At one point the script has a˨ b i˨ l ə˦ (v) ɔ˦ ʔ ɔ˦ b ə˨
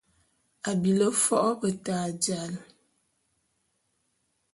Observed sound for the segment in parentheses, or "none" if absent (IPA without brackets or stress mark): f